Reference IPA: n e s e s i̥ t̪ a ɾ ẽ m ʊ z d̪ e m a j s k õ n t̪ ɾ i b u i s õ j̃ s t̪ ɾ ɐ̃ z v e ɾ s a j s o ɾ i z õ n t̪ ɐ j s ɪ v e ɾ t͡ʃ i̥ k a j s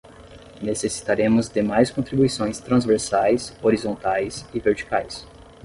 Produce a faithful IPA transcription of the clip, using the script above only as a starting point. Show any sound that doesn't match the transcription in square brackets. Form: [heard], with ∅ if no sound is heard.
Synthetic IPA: n e s e s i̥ t̪ a ɾ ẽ m ʊ z d̪ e m a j s k õ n t̪ ɾ i b u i s õ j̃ s t̪ ɾ ɐ̃ z v e ɾ s a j s o ɾ i z õ n t̪ [a] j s ɪ v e ɾ t͡ʃ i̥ k a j s